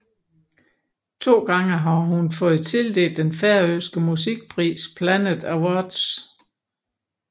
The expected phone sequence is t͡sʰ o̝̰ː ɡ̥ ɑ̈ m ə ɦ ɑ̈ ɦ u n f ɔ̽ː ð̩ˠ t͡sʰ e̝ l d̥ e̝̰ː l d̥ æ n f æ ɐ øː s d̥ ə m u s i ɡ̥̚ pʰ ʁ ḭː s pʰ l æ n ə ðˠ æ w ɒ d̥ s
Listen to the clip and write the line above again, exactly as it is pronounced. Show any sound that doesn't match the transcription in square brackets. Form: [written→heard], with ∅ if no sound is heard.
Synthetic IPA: t͡sʰ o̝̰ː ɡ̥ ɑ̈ [m→ŋ] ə ɦ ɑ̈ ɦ u n f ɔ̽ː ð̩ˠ t͡sʰ e̝ l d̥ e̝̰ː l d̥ [æ→e] n f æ ɐ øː s [d̥→ɡ̥] ə m u s i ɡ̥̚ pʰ ʁ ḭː s pʰ l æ n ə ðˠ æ w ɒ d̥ s